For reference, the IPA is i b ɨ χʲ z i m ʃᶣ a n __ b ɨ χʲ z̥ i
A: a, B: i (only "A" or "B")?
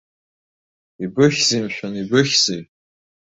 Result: B